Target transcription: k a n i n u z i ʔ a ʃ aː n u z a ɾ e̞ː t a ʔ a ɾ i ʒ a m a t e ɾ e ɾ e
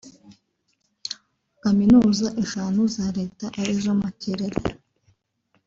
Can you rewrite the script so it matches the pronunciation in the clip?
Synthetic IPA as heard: k a m i n u z a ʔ e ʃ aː n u z a ɾ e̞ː t a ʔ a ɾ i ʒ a m a c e ɾ e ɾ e